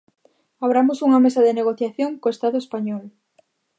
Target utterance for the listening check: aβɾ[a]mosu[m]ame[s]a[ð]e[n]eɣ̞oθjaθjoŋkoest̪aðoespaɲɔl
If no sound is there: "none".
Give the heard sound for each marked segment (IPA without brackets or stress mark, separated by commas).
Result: a, ŋ, s, ð, n